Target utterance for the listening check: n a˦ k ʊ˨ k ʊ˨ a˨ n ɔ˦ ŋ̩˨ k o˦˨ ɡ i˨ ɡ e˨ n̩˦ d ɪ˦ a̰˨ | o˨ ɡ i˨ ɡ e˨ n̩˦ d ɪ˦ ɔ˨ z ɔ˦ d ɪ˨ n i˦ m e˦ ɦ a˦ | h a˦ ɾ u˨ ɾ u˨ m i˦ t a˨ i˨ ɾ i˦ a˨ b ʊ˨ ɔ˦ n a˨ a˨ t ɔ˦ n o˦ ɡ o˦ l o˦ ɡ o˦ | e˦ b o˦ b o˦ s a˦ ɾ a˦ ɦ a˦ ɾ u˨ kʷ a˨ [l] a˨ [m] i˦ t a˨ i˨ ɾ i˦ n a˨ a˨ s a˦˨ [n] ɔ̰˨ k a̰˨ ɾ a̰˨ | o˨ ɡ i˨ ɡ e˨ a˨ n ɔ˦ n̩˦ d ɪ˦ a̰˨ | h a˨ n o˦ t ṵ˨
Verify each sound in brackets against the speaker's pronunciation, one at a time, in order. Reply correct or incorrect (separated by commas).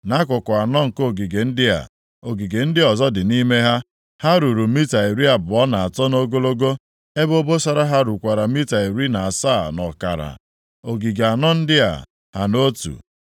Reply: incorrect, correct, correct